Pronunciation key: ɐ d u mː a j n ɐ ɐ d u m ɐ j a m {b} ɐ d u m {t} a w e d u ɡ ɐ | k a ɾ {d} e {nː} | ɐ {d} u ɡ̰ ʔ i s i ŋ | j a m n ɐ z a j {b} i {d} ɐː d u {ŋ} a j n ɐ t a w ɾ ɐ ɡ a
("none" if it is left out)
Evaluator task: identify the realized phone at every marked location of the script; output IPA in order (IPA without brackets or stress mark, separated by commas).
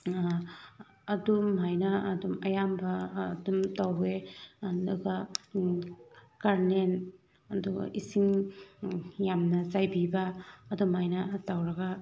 b, t, n, n, d, b, b, m